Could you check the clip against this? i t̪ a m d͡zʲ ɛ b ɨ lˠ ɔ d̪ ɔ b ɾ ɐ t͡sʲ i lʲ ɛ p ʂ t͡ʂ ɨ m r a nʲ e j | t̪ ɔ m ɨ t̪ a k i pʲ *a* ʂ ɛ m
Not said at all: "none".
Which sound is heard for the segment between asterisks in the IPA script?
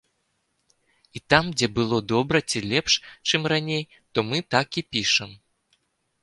i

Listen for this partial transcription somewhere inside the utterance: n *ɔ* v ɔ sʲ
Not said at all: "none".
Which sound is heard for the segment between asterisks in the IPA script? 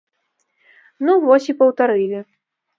u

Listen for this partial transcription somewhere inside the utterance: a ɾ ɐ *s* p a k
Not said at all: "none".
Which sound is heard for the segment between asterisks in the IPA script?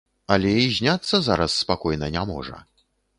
sː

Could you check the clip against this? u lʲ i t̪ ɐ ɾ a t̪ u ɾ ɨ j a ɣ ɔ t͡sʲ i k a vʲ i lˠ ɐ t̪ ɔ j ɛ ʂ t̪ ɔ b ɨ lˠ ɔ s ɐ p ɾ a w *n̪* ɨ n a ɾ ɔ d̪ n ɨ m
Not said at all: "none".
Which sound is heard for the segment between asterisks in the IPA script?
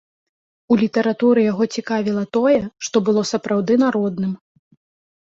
d̪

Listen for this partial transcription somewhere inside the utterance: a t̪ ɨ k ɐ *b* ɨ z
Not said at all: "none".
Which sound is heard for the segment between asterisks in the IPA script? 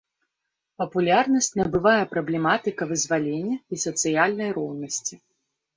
v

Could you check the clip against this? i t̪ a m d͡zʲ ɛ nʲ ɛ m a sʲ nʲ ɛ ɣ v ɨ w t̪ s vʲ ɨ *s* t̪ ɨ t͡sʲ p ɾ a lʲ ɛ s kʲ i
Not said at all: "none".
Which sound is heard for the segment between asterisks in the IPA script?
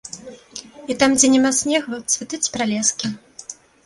none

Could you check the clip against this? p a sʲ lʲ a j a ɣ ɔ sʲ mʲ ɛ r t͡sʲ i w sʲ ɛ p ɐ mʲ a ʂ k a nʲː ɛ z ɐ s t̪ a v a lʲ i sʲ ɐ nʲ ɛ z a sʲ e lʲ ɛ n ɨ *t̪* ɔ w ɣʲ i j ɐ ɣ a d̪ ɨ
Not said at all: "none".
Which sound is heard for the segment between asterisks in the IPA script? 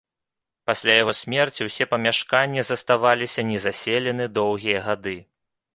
d̪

